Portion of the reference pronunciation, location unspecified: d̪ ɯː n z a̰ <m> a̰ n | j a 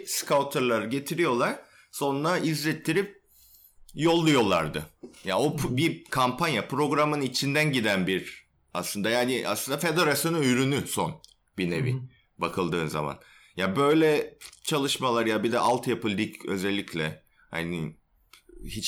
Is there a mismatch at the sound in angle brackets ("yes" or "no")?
no